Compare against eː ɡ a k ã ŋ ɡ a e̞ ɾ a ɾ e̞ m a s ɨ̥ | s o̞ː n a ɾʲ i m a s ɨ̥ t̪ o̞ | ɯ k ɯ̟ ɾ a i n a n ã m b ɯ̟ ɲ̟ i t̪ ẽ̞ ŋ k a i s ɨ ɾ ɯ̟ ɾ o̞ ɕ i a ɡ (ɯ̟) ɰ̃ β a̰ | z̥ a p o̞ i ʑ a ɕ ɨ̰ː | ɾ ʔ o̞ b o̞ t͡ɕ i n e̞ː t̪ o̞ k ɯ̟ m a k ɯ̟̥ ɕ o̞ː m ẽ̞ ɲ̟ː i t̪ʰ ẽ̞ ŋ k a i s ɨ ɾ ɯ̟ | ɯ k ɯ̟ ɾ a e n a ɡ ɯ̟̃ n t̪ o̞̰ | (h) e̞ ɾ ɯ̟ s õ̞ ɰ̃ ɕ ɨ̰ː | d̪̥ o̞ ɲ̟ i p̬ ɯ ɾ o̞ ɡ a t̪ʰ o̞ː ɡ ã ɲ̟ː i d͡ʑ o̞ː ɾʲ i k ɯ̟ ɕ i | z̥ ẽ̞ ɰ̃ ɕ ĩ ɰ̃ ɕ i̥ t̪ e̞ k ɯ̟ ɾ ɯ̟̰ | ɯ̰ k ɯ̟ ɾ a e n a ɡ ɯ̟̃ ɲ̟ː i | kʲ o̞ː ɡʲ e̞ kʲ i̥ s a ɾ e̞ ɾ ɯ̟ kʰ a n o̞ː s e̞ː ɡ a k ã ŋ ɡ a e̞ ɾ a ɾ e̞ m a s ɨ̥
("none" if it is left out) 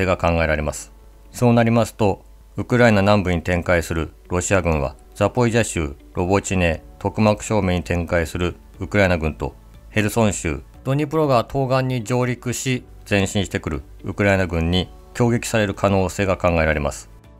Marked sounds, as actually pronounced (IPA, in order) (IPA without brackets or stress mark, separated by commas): ɯ̟̃, h